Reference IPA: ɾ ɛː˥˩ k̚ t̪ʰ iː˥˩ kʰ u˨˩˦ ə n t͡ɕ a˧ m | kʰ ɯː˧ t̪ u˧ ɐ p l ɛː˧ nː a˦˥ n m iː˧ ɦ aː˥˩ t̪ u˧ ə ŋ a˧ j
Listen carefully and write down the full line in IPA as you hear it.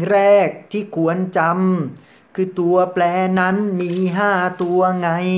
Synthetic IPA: ɾ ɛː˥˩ k̚ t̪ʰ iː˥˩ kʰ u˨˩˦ ə n t͡ɕ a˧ m | kʰ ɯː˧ t̪ u˧ ɐ p l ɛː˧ n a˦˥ n m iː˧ ɦ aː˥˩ t̪ u˧ ɐ ŋ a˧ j